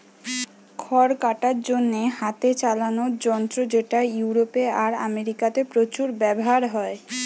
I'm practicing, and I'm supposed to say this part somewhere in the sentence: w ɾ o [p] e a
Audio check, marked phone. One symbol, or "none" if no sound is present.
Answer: p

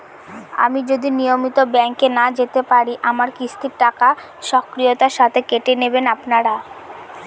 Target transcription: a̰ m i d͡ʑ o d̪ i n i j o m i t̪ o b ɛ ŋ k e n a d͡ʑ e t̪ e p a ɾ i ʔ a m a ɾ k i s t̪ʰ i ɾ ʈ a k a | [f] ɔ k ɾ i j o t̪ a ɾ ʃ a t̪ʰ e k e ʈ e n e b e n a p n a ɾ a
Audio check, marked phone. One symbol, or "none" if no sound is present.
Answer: ʃ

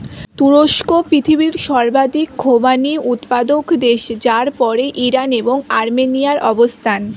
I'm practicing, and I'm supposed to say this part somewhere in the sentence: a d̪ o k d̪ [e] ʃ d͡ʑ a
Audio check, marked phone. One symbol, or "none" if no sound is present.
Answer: e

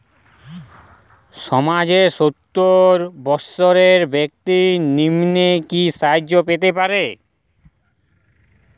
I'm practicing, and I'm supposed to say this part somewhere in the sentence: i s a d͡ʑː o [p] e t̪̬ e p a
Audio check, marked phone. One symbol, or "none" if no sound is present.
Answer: p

